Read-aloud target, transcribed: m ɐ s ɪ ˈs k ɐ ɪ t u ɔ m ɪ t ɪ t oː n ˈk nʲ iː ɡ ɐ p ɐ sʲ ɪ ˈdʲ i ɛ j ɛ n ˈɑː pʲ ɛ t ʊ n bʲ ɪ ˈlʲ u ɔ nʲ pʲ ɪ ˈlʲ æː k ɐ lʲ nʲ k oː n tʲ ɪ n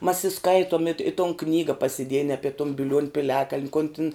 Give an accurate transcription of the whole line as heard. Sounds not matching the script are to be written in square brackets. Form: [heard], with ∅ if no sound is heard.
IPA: m ɐ s ɪ ˈs k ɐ ɪ t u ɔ m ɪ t ɪ t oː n ˈk nʲ iː ɡ ɐ p ɐ sʲ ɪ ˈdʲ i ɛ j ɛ n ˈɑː pʲ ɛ t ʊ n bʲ ɪ ˈlʲ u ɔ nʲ pʲ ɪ ˈlʲ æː k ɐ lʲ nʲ k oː n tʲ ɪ n